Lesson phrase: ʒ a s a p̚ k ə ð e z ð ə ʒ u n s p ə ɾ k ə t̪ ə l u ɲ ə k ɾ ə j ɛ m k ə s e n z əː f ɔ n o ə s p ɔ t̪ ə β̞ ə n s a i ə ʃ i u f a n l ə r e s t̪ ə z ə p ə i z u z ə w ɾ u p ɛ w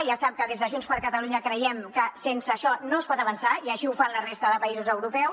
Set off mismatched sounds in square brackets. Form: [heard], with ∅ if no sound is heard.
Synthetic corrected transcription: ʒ a s a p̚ k ə ð e z ð ə ʒ u n s p ə ɾ k ə t̪ ə l u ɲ ə k ɾ ə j ɛ m k ə s e n [s] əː [ʃ] ɔ n o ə s p ɔ t̪ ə β̞ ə n s a i ə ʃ i u f a n l ə r e s t̪ ə [ð] ə p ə i z u z ə w ɾ u p ɛ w